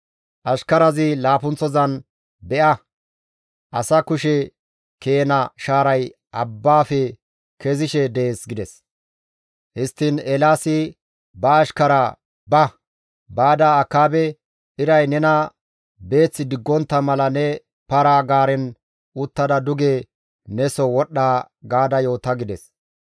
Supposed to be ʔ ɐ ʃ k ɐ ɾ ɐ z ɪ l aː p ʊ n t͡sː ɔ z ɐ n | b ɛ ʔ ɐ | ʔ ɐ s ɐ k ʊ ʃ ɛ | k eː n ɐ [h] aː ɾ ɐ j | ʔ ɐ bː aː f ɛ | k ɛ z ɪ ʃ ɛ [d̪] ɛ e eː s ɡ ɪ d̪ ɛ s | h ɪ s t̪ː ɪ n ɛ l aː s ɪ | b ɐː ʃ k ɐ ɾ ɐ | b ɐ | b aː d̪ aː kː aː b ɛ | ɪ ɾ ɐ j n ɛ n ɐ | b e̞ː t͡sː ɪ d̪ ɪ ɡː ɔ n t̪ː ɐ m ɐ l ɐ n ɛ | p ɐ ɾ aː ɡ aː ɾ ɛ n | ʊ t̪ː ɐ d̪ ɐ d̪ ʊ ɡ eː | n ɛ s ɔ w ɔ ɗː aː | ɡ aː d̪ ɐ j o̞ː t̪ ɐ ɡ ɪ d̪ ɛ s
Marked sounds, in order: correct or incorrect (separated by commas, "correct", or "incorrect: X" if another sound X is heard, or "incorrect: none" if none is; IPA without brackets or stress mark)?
incorrect: ʃ, correct